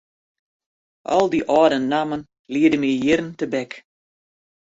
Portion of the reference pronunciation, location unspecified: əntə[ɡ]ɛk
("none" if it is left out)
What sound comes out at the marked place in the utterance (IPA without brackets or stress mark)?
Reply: b